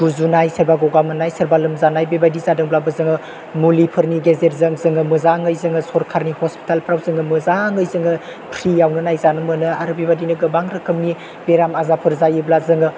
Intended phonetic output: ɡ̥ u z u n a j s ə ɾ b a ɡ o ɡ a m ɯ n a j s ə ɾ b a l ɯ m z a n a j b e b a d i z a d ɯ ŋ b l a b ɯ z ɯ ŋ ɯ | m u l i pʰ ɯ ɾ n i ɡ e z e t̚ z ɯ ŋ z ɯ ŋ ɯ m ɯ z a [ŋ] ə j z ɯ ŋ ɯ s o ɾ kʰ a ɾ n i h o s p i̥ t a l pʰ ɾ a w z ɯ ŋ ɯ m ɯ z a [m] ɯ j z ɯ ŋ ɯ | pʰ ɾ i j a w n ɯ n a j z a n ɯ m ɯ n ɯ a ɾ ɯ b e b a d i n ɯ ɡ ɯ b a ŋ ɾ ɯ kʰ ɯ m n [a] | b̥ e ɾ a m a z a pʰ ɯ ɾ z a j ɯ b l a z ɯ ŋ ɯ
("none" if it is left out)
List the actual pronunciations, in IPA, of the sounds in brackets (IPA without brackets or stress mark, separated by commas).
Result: ŋ, ŋ, i